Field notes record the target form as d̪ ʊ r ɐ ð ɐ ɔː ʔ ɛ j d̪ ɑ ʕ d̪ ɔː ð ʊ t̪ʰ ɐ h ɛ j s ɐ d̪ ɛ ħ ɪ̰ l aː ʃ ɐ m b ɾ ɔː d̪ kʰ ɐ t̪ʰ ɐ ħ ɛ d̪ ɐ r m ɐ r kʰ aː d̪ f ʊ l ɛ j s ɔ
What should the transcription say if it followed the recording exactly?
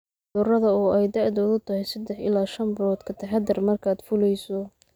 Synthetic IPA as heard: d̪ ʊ r ɐ ð ɐ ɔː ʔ ɛ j d̪ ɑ ʕ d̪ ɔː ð ʊ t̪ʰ ɐ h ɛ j s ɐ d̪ ɛ ħ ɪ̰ l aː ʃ ɐ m b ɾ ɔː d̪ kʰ ɐ t̪ʰ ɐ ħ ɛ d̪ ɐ r m ɐ r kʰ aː d̪ f ʊ l ɛ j s ɔ